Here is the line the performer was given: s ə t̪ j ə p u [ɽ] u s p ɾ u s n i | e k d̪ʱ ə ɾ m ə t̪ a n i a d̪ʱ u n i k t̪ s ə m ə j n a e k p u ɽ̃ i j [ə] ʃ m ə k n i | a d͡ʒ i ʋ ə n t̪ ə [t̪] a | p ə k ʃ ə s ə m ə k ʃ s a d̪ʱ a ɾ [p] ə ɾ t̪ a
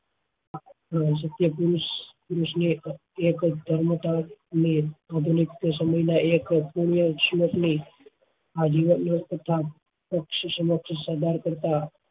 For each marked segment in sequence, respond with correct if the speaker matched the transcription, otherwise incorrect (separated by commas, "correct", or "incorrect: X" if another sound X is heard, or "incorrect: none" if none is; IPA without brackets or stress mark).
incorrect: ɾ, correct, incorrect: t̪ʰ, incorrect: k